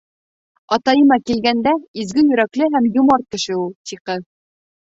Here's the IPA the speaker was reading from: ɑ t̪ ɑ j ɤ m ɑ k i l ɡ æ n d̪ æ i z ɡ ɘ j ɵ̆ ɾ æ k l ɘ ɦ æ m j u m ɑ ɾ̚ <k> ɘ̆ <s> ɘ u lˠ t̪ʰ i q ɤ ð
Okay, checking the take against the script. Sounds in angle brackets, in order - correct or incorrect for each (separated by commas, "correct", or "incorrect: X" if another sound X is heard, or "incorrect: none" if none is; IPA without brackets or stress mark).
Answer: correct, incorrect: ʃ